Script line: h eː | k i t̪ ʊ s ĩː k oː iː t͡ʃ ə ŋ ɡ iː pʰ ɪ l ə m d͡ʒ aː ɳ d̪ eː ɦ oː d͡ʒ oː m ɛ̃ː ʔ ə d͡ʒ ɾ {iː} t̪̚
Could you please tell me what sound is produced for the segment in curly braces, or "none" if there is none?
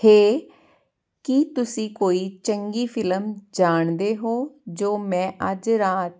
aː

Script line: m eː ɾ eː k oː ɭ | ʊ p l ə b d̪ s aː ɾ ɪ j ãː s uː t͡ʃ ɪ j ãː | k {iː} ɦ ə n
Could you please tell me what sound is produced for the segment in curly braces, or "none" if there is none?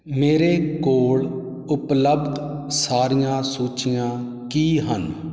iː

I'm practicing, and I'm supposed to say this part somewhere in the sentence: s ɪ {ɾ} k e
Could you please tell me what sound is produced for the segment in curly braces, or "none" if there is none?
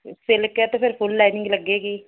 l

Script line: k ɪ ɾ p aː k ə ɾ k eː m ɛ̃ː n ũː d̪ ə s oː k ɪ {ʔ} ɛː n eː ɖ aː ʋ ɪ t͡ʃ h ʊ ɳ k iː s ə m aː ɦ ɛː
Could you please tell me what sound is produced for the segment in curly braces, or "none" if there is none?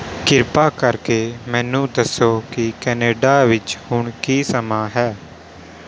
k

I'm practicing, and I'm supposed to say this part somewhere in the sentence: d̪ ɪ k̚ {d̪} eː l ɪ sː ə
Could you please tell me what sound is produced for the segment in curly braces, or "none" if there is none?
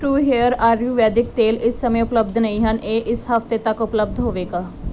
t̪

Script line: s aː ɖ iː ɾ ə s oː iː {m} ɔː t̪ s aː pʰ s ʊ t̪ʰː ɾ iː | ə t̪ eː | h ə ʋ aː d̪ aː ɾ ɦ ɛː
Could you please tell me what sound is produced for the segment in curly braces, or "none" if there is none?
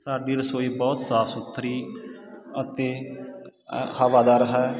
b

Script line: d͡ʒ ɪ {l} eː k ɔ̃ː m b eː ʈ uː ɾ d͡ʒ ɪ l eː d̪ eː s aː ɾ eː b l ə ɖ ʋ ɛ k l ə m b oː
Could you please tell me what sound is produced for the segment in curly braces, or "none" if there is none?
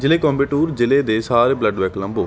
l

